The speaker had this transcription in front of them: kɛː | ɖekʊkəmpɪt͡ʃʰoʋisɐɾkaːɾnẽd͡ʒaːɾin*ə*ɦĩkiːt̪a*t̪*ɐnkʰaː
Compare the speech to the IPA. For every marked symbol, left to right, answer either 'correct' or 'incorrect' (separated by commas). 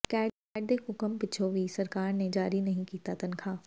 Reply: incorrect, correct